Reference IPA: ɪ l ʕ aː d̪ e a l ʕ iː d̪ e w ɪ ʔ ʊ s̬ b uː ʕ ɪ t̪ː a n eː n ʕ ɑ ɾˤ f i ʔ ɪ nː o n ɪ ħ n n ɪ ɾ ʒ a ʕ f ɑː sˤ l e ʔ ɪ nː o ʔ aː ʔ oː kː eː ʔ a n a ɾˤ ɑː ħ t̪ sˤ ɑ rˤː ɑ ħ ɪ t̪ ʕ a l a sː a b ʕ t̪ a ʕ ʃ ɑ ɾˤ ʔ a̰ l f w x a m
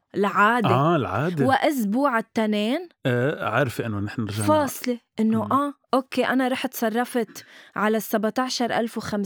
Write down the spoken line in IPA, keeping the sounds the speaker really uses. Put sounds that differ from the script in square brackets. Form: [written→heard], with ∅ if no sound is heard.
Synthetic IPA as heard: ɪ l ʕ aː d̪ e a l ʕ [iː→aː] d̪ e w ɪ ʔ ʊ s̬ b uː ʕ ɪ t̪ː a n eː n ʕ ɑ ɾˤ f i ʔ ɪ nː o n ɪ ħ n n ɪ ɾ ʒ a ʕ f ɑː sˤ l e ʔ ɪ nː o ʔ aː ʔ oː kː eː ʔ a n a ɾˤ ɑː ħ t̪ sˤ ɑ rˤː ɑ [ħ→f] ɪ t̪ ʕ a l a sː a b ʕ t̪ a ʕ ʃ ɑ ɾˤ ʔ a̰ l f w x a m